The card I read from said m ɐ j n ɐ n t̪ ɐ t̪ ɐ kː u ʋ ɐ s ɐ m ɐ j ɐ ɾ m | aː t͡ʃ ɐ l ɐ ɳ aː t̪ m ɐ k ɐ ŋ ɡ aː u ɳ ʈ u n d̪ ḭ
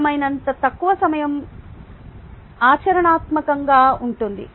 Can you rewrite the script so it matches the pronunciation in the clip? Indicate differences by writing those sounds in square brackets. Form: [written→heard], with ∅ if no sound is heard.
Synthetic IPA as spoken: m ɐ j n ɐ n t̪ ɐ t̪ ɐ kː u ʋ ɐ s ɐ m ɐ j ɐ [ɾ→∅] m | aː t͡ʃ ɐ [l→ɾ] ɐ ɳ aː t̪ m ɐ k ɐ ŋ ɡ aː u ɳ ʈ u n d̪ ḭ